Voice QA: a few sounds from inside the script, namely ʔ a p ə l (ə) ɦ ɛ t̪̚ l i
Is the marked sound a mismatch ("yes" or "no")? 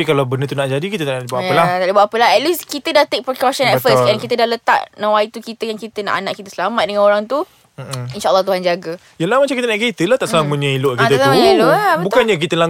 yes